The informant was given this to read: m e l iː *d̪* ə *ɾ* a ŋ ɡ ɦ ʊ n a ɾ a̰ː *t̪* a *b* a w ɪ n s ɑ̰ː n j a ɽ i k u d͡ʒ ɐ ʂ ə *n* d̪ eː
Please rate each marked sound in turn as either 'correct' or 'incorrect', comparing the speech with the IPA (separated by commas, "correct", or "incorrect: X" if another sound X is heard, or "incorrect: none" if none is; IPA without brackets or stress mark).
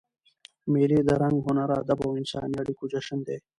correct, correct, incorrect: d̪, correct, correct